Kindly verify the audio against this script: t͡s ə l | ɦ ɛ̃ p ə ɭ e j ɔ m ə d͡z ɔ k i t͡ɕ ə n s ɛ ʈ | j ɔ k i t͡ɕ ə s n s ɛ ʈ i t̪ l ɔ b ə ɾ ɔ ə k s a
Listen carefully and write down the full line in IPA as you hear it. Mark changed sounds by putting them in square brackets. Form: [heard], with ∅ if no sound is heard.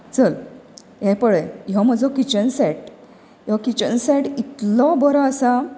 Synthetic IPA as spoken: t͡s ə l | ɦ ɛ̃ p ə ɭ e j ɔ m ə d͡z ɔ k i t͡ɕ ə n s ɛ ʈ | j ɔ k i t͡ɕ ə [∅] n s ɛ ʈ i t̪ l ɔ b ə ɾ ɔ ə [∅] s a